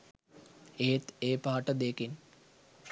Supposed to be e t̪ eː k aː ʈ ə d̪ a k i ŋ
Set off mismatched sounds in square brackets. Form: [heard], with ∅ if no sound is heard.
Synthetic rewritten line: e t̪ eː [p] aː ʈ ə d̪ [e] k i [n]